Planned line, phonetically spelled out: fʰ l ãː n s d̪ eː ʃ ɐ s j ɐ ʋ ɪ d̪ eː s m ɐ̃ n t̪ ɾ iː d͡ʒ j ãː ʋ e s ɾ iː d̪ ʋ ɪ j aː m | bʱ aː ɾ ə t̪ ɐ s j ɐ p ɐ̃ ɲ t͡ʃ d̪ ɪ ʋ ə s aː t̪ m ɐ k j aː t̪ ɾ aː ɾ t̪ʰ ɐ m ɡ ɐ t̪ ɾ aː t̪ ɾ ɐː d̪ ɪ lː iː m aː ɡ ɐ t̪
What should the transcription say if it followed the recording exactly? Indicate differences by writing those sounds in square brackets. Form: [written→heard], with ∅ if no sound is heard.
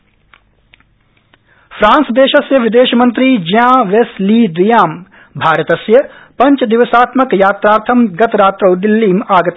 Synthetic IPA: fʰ [l→ɾ] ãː n s d̪ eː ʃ ɐ s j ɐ ʋ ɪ d̪ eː [s→ʃ] m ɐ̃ n t̪ ɾ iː d͡ʒ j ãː ʋ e s [ɾ→l] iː d̪ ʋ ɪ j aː m | bʱ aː ɾ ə t̪ ɐ s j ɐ p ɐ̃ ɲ t͡ʃ d̪ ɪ ʋ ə s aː t̪ m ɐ k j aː t̪ ɾ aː ɾ t̪ʰ ɐ m ɡ ɐ t̪ ɾ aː t̪ ɾ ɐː d̪ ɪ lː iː m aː ɡ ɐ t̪